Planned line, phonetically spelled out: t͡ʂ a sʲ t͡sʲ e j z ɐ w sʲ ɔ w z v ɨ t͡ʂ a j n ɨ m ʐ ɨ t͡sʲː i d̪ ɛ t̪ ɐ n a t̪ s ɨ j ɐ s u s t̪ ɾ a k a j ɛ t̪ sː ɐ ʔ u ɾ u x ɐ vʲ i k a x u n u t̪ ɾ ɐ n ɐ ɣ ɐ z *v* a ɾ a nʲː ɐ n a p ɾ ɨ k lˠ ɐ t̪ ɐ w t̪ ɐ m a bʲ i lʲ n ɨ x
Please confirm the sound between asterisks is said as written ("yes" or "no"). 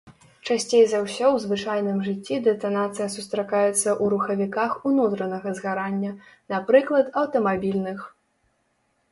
no